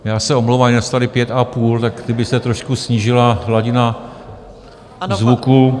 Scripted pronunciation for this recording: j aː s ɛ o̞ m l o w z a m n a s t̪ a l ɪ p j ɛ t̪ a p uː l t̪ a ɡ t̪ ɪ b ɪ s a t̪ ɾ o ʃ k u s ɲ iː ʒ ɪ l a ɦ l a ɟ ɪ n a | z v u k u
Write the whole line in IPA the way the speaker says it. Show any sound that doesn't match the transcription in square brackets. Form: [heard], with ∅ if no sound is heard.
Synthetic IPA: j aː s ɛ o̞ m l o w [v] a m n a s t̪ a l ɪ p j ɛ t̪ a p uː l t̪ a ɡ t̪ ɪ b ɪ s [ɛ] t̪ ɾ o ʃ k u s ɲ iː ʒ ɪ l a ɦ l a ɟ ɪ n a | z v u k u